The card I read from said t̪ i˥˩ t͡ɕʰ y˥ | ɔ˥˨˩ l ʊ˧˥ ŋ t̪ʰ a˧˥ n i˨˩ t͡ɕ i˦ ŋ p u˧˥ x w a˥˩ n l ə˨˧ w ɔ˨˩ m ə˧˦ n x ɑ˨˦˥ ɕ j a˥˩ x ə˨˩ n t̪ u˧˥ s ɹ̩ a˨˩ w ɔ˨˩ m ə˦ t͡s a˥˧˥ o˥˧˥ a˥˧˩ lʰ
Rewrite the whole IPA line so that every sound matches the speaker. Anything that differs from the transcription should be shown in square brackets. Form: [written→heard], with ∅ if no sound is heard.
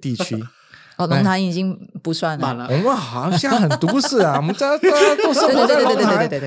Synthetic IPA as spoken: t̪ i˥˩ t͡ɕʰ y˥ | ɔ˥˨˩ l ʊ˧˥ ŋ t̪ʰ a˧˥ n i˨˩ t͡ɕ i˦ ŋ p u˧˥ [x→s] w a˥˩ n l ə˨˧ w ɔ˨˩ m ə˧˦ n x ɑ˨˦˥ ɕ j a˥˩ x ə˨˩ n t̪ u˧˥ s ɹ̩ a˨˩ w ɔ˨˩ m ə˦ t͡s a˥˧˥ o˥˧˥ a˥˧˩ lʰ